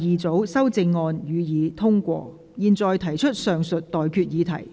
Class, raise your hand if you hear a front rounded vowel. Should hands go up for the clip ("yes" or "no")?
yes